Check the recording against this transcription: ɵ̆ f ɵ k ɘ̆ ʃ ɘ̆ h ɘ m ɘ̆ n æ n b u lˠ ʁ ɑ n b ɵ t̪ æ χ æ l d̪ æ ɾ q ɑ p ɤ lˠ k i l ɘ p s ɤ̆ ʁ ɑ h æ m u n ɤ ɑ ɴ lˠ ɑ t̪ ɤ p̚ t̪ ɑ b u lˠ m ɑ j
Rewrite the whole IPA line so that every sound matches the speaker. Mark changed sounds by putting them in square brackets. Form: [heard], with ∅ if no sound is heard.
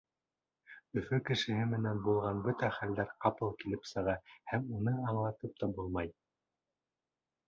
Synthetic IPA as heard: ɵ̆ f ɵ k ɘ̆ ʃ ɘ̆ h ɘ m ɘ̆ n æ n b u lˠ ʁ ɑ n b ɵ t̪ æ χ æ l d̪ æ ɾ q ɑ p ɤ lˠ k i l ɘ p s ɤ̆ ʁ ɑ h æ m u n ɤ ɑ ɴ lˠ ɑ t̪ ɤ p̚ t̪ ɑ b u lˠ m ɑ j